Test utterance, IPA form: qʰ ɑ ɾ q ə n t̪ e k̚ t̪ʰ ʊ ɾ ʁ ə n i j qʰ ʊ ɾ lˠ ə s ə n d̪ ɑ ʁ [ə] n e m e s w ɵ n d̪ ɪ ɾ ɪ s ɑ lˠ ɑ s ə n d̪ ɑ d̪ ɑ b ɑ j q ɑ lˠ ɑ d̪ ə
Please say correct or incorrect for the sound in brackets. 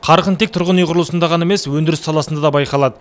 incorrect